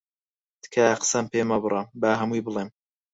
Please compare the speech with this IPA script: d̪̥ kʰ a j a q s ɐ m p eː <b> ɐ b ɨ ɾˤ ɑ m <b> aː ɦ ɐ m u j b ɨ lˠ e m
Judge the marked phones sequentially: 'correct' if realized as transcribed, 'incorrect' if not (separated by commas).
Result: incorrect, correct